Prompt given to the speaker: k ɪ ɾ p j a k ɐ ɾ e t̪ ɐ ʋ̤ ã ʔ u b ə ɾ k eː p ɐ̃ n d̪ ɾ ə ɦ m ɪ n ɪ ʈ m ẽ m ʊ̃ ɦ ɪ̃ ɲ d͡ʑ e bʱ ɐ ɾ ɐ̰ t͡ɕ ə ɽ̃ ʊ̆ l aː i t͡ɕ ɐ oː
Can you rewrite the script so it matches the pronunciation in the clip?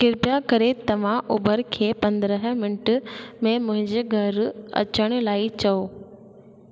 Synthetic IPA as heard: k ɪ ɾ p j a k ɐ ɾ e t̪ ɐ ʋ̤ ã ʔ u b ə ɾ kʰ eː p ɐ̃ n d̪ ɾ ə ɦ m ɪ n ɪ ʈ m ẽ m ʊ̃ ɦ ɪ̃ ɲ d͡ʑ e ɡʱ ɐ ɾ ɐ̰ t͡ɕ ə ɽ̃ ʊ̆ l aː i t͡ɕ ɐ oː